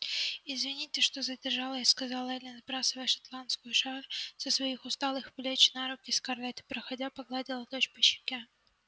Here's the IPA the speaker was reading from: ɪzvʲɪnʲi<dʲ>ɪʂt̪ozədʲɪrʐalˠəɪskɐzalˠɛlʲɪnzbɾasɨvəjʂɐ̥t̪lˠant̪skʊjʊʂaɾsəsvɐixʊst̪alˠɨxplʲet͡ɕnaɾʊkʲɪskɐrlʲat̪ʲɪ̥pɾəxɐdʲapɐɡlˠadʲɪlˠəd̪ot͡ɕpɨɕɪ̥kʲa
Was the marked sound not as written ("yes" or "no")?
yes